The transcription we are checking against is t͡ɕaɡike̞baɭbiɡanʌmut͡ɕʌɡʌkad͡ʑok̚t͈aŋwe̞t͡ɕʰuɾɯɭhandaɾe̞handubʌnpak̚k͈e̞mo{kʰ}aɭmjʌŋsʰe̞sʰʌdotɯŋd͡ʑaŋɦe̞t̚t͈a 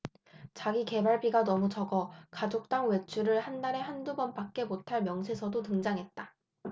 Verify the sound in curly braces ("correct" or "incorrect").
incorrect